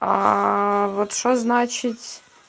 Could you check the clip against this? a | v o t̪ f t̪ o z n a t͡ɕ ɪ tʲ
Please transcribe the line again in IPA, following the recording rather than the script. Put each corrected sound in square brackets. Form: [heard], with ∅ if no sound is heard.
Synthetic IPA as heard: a | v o t̪ [ʂ] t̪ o z n a t͡ɕ ɪ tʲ

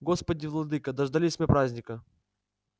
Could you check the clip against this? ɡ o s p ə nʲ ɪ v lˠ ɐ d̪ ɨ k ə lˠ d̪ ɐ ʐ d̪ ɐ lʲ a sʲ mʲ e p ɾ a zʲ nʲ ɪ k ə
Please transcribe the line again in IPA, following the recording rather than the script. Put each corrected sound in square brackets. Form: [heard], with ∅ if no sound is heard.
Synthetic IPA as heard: ɡ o s p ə [dʲ] ɪ v lˠ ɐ d̪ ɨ k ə [∅] d̪ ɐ ʐ d̪ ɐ lʲ [i] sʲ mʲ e p ɾ a zʲ nʲ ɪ k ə

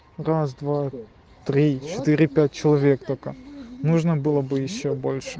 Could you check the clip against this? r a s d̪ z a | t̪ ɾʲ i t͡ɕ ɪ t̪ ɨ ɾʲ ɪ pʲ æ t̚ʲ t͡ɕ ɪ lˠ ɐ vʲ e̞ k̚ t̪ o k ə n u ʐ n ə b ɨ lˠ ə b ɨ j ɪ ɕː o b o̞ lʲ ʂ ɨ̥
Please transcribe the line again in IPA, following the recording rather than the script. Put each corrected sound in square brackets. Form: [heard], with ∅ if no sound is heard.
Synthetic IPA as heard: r a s d̪ [v] a | t̪ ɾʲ i t͡ɕ ɪ t̪ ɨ ɾʲ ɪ pʲ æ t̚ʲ t͡ɕ ɪ lˠ ɐ vʲ e̞ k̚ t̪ o k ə n u ʐ n ə b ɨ lˠ ə b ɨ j ɪ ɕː o b o̞ lʲ ʂ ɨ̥

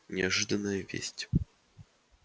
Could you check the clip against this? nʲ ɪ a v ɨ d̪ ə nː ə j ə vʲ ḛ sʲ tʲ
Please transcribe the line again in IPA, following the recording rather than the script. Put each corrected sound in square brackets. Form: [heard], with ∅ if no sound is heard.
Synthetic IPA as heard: nʲ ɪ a [ʐ] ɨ d̪ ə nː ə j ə vʲ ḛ sʲ tʲ

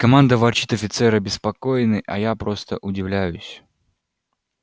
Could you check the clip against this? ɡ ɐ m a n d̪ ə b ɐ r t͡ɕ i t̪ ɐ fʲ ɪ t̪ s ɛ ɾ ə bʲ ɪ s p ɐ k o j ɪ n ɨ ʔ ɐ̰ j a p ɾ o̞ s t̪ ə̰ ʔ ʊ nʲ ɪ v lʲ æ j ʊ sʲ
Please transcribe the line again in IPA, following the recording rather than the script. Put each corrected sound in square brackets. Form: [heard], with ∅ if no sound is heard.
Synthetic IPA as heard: [k] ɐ m a n d̪ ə [v] ɐ r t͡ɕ i t̪ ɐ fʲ ɪ t̪ s ɛ ɾ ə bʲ ɪ s p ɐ k o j ɪ n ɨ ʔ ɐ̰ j a p ɾ o̞ s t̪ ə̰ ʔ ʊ [dʲ] ɪ v lʲ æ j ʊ sʲ

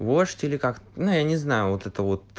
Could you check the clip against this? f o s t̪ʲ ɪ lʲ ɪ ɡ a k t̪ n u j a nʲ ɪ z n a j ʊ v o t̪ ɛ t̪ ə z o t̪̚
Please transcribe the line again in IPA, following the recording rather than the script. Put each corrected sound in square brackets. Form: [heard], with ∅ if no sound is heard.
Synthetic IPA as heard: [v] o [ʂ] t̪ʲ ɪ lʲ ɪ [k] a k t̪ n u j a nʲ ɪ z n a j ʊ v o t̪ ɛ t̪ ə [v] o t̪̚

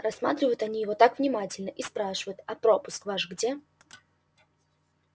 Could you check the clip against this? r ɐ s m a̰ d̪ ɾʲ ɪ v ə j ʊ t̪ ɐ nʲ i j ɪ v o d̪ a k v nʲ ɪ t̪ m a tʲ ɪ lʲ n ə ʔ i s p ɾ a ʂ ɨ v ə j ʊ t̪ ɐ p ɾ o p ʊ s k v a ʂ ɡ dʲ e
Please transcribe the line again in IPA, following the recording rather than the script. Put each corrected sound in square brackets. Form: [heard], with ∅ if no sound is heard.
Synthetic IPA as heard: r ɐ s m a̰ [t̪] ɾʲ ɪ v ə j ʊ t̪ ɐ nʲ i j ɪ v o [t̪] a k v nʲ ɪ [∅] m a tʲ ɪ lʲ n ə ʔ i s p ɾ a ʂ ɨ v ə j ʊ t̪ ɐ p ɾ o p ʊ s k v a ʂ ɡ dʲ e

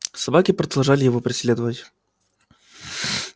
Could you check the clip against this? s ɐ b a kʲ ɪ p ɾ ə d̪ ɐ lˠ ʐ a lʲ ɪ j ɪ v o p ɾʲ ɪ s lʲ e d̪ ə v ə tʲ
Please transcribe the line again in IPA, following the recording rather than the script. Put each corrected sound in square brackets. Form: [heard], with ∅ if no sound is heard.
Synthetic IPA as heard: s ɐ b a kʲ ɪ p ɾ ə d̪ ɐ lˠ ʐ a lʲ ɪ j ɪ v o p ɾʲ ɪ s lʲ e d̪ ə v ə tʲ

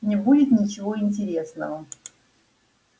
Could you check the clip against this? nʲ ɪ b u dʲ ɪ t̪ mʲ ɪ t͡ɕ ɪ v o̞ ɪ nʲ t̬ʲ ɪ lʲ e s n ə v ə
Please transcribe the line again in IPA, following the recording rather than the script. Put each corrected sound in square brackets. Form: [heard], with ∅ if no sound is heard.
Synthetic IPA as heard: nʲ ɪ b u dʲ ɪ t̪ [nʲ] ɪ t͡ɕ ɪ v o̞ ɪ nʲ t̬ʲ ɪ [ɾʲ] e s n ə v ə

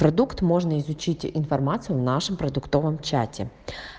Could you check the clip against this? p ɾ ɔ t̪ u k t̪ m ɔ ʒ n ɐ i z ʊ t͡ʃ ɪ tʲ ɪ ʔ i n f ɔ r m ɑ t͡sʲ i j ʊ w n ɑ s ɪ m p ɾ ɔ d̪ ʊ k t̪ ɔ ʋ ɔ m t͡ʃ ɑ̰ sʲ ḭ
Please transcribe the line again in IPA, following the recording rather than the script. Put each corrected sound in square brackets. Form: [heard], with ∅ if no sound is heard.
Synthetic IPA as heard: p ɾ ɔ [d̪] u k t̪ m ɔ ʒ n ɐ i z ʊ t͡ʃ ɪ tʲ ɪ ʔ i n f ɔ r m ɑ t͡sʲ i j ʊ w n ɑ [ʃ] ɪ m p ɾ ɔ d̪ ʊ k t̪ ɔ ʋ ɔ m t͡ʃ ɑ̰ [tʲ] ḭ

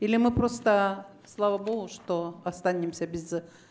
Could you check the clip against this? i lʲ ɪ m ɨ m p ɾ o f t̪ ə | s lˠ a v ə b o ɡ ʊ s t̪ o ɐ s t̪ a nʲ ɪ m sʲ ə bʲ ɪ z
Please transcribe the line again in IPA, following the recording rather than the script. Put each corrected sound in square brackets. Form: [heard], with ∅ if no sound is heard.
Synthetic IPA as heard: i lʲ ɪ m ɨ [∅] p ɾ o [s] t̪ ə | s lˠ a v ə b o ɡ ʊ [ʂ] t̪ o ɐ s t̪ a nʲ ɪ m sʲ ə bʲ ɪ z

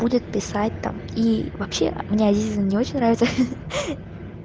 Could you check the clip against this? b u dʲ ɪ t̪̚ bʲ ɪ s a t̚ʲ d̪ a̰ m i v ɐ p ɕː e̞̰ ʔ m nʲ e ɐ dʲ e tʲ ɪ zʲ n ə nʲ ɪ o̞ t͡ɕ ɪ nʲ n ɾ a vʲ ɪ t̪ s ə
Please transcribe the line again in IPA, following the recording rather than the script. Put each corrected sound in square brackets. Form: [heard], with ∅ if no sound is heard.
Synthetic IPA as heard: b u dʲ ɪ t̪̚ [pʲ] ɪ s a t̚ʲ [t̪] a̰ m i v ɐ p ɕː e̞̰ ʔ m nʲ e ɐ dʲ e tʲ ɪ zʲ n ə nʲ ɪ o̞ t͡ɕ ɪ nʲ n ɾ a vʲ ɪ t̪ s ə

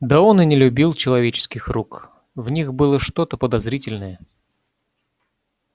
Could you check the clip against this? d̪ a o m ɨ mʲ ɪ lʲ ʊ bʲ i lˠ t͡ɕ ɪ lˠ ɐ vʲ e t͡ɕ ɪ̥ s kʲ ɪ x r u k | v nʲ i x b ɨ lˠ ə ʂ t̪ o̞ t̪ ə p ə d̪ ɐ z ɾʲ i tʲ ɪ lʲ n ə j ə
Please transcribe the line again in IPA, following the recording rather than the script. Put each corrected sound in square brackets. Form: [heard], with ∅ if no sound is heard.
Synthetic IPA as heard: d̪ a o [n] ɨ [nʲ] ɪ lʲ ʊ bʲ i lˠ t͡ɕ ɪ lˠ ɐ vʲ e t͡ɕ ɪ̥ s kʲ ɪ x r u k | v nʲ i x b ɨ lˠ ə ʂ t̪ o̞ t̪ ə p ə d̪ ɐ z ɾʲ i tʲ ɪ lʲ n ə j ə

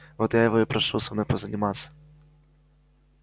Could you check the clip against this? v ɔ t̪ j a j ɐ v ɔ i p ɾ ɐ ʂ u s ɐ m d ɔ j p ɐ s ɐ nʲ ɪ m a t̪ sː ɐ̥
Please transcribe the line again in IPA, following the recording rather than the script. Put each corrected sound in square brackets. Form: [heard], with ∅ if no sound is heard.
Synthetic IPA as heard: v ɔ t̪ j a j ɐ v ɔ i p ɾ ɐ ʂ u s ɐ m [n] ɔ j p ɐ [z] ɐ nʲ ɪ m a t̪ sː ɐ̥

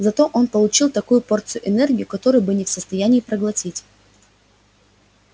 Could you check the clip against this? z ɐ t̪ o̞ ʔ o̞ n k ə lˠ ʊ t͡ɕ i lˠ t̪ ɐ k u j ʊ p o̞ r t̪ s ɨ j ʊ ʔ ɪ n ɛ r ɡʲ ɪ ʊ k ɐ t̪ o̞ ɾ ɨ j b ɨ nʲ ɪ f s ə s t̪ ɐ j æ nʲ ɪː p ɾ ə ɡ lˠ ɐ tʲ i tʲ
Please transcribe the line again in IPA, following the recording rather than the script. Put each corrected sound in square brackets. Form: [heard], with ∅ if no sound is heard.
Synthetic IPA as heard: z ɐ t̪ o̞ ʔ o̞ n [p] ə lˠ ʊ t͡ɕ i lˠ t̪ ɐ k u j ʊ p o̞ r t̪ s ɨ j ʊ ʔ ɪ n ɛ r ɡʲ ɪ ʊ k ɐ t̪ o̞ ɾ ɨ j b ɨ nʲ ɪ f s ə s t̪ ɐ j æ nʲ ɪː p ɾ ə ɡ lˠ ɐ tʲ i tʲ

